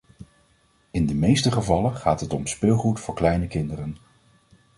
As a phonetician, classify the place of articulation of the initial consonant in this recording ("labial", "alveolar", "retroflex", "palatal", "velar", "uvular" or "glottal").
alveolar